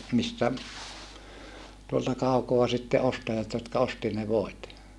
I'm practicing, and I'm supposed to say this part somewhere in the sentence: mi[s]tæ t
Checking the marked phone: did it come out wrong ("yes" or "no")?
no